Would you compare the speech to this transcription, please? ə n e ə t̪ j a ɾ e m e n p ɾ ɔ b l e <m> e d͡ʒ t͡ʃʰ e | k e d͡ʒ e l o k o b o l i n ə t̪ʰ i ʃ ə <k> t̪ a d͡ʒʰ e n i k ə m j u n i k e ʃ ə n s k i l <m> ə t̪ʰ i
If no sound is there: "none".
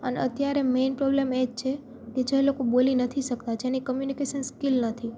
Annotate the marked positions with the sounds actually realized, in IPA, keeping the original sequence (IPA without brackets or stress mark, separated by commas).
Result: m, k, n